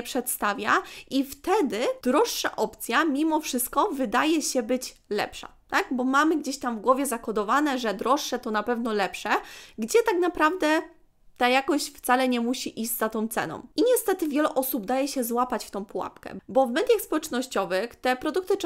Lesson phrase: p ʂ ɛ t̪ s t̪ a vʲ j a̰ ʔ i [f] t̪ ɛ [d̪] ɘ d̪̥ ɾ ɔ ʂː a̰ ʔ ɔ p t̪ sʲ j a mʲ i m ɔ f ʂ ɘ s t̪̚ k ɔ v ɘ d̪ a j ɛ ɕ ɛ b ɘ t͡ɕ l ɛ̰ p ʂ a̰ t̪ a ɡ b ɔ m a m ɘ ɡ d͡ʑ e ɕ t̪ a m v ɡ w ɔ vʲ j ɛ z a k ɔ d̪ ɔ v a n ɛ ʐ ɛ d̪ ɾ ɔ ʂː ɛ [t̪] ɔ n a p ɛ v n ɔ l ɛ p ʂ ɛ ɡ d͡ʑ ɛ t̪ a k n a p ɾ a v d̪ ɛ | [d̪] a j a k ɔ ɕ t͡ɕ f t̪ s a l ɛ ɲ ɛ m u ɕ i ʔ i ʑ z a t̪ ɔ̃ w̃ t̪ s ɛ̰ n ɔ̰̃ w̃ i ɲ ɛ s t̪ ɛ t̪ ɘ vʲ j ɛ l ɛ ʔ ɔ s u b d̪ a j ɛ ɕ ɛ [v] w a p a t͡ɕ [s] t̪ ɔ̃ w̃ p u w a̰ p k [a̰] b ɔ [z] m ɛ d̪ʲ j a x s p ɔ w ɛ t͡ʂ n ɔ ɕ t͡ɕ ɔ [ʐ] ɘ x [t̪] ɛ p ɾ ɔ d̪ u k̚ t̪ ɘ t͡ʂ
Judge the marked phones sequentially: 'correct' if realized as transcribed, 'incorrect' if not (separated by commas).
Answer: correct, correct, correct, incorrect, incorrect, incorrect, incorrect, incorrect, incorrect, correct